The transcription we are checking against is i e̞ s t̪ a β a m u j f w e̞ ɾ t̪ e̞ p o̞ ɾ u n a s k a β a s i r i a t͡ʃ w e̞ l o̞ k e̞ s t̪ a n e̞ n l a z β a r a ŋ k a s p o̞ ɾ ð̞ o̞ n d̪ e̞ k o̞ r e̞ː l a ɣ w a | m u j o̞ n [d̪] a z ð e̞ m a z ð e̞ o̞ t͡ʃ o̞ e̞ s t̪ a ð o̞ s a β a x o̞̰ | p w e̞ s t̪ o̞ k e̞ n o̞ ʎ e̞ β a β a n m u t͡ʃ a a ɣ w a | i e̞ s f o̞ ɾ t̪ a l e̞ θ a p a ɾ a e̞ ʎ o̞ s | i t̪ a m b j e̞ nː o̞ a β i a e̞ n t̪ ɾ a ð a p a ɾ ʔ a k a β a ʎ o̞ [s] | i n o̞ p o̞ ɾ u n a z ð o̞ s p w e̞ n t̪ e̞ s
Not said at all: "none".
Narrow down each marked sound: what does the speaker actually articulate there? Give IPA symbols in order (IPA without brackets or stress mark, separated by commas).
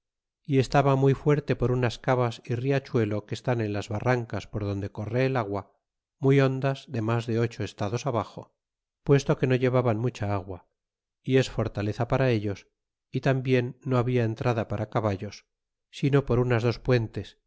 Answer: d̪, sː